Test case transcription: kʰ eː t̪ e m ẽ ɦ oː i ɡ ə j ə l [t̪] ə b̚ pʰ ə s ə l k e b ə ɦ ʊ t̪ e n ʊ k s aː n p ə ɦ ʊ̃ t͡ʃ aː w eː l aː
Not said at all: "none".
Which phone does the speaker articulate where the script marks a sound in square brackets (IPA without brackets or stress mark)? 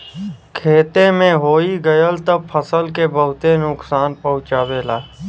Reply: t̪